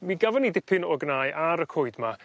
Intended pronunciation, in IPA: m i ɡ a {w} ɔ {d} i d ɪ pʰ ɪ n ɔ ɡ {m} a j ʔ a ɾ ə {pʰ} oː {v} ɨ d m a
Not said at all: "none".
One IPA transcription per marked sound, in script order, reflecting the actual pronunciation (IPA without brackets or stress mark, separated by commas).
v, n, n, kʰ, none